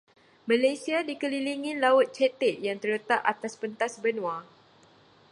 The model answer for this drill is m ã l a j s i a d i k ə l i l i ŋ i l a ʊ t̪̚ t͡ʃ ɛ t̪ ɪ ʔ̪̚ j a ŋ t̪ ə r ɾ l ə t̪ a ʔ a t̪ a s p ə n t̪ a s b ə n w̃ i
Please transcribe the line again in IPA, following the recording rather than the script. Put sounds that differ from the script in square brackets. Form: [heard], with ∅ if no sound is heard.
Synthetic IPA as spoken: m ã l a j s i a d i k ə l i l i ŋ i l a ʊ t̪̚ t͡ʃ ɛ t̪ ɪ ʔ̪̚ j a ŋ t̪ ə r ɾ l ə t̪ a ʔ a t̪ a s p ə n t̪ a s b ə n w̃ [a]